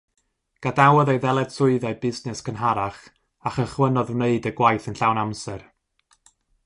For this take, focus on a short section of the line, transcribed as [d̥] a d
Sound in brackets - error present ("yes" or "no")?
yes